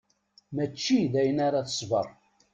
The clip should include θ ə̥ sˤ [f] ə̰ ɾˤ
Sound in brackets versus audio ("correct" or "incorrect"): incorrect